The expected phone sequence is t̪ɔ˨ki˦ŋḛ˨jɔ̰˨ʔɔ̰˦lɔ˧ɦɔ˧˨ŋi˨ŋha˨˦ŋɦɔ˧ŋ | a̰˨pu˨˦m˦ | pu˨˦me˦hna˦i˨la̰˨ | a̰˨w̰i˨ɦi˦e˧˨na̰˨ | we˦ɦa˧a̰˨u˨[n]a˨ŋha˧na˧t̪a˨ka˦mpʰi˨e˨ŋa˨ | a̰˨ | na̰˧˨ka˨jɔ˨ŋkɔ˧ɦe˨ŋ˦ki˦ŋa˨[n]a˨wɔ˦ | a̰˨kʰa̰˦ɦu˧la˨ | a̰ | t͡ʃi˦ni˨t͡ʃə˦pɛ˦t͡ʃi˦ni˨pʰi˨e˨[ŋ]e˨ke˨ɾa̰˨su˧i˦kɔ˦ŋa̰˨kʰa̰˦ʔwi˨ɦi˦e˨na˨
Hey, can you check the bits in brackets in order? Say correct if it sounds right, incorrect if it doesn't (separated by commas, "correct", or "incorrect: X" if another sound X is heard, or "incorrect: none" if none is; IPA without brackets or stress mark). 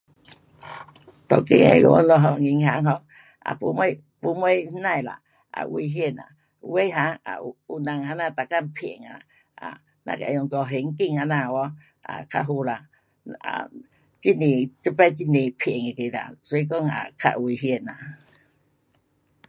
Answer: correct, correct, correct